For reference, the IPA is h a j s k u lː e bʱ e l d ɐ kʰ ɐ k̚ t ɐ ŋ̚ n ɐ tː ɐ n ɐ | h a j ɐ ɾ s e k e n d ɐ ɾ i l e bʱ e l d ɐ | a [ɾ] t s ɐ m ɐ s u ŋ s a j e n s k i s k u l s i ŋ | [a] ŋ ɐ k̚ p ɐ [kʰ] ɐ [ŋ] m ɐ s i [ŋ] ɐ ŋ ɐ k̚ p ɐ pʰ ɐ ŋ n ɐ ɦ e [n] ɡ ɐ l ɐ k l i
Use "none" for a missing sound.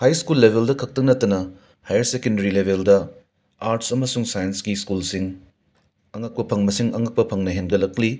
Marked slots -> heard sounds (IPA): ɾ, ɐ, pʰ, ŋ, ŋ, n

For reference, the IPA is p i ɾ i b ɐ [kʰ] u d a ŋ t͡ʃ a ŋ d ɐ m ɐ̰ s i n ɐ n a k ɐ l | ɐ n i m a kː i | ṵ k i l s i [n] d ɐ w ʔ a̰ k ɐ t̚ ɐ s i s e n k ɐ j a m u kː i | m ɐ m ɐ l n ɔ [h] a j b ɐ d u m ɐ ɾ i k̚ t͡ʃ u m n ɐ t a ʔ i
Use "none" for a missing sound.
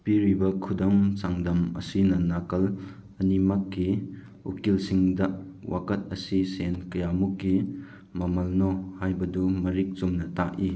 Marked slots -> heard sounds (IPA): kʰ, ŋ, h

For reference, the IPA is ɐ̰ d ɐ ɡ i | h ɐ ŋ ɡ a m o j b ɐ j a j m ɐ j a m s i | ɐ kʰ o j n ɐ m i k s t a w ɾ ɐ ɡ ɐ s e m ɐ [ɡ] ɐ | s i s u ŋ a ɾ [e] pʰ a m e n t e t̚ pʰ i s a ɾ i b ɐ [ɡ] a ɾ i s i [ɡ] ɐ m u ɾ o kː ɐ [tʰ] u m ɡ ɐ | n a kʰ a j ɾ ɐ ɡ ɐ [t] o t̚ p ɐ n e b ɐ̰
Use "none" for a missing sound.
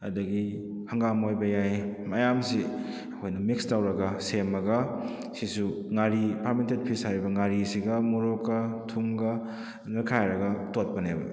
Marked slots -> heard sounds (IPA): ɡ, i, ŋ, ɡ, tʰ, t

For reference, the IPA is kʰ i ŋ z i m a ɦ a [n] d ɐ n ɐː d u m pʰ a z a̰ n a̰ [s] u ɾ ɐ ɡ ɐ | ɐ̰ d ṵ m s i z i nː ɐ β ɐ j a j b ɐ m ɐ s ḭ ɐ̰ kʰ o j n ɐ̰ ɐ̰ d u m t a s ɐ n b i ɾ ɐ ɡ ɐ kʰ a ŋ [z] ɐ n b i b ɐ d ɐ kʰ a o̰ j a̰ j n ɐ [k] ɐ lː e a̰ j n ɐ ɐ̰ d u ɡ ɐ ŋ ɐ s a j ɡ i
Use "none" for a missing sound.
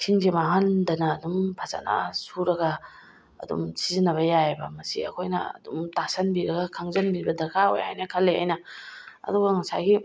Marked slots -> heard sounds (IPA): n, s, z, kʰ

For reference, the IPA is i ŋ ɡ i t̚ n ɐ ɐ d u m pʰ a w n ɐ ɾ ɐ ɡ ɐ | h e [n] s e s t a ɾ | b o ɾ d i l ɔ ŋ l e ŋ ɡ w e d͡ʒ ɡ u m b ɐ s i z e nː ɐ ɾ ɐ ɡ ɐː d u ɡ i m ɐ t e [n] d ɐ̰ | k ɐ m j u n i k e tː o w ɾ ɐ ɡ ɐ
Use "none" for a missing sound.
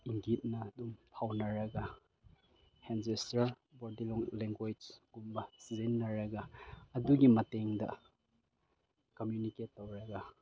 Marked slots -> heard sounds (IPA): n, ŋ

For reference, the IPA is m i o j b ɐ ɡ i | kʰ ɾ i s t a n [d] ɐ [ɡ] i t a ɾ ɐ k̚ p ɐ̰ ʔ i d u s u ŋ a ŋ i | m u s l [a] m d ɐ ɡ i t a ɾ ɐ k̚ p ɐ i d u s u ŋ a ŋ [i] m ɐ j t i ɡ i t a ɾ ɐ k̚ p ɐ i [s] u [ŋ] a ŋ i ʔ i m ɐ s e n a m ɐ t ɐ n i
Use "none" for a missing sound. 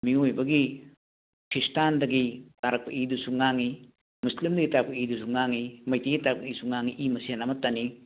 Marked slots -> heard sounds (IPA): d, ɡ, i, i, s, ŋ

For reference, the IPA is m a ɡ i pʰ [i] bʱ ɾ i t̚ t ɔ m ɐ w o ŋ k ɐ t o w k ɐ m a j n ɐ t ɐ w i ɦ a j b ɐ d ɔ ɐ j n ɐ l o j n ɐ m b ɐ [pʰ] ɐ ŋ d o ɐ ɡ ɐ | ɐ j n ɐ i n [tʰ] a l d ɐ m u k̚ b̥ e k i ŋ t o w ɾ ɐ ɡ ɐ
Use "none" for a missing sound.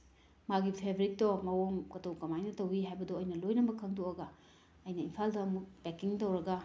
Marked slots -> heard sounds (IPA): e, kʰ, pʰ

